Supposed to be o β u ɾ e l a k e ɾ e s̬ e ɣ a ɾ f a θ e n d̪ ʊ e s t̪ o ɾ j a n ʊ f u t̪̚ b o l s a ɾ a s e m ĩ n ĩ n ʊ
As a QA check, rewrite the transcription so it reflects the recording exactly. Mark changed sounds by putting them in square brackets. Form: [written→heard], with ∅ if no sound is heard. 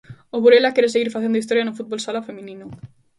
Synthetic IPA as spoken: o β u ɾ e l a k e ɾ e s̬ e ɣ [a→i] ɾ f a θ e n d̪ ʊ [e→i] s t̪ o ɾ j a n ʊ f u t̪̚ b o l s a [ɾ→l] a [s→f] e m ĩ n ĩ n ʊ